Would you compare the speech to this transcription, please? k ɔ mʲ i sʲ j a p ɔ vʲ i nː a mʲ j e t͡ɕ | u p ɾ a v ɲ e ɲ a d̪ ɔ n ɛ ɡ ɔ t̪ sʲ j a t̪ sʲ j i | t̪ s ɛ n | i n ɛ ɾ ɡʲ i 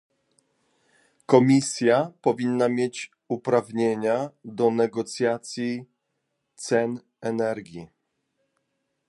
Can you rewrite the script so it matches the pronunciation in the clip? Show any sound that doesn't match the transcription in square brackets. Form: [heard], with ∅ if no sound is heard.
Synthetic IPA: k ɔ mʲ i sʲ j a p ɔ vʲ i nː a mʲ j e t͡ɕ | u p ɾ a v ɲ e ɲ a d̪ ɔ n ɛ ɡ ɔ t̪ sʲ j a t̪ sʲ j i | t̪ s ɛ n | [ɛ] n ɛ ɾ ɡʲ i